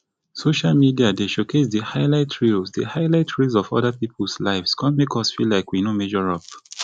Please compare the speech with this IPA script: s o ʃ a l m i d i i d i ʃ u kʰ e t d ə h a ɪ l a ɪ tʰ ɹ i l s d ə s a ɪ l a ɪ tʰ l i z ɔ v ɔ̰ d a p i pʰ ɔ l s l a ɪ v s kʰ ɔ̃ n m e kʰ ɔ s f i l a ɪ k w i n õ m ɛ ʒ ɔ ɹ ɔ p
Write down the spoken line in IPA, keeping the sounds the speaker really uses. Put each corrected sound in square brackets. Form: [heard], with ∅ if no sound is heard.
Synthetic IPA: s o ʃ a l m i d i [a] d [e] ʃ [o] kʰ e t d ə h a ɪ l a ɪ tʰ ɹ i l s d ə [h] a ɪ l a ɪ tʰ [ɹ] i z ɔ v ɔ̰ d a p i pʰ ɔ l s l a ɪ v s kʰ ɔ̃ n m e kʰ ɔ s f i l a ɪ k w i n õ m ɛ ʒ ɔ ɹ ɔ p